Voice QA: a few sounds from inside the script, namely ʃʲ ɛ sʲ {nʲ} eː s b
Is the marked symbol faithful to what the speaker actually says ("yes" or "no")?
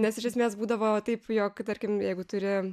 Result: no